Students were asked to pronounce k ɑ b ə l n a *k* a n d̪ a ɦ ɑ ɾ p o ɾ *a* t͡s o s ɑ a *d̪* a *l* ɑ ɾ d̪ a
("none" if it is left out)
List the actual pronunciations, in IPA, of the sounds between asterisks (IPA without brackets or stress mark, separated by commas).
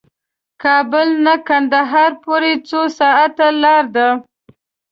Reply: k, e, t̪, l